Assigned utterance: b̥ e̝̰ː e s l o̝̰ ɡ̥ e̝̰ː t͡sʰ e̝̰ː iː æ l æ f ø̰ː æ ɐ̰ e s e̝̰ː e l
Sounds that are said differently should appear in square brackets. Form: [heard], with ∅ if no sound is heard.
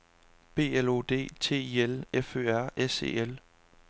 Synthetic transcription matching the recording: b̥ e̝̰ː e [∅] l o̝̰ [d̥] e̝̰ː t͡sʰ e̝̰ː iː [e] l [e] f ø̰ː æ ɐ̰ e s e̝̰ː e l